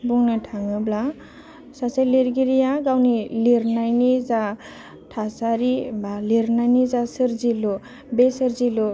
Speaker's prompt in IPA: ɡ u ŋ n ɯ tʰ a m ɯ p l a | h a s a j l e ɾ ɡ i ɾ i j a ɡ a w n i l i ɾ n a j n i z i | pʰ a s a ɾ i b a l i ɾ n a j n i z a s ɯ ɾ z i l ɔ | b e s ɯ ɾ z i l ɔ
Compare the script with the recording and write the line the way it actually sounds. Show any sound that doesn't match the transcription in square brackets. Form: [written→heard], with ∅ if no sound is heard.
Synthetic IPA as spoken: [ɡ→b] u ŋ n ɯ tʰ a [m→ŋ] ɯ [p→b] l a | [h→s] a s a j l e ɾ ɡ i ɾ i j a ɡ a w n i l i ɾ n a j n i z [i→a] | [pʰ→tʰ] a s a ɾ i b a l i ɾ n a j n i z a s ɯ ɾ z i l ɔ | b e s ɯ ɾ z i l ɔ